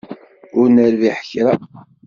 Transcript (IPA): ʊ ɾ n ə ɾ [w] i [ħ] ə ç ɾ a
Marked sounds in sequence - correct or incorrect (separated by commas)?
incorrect, correct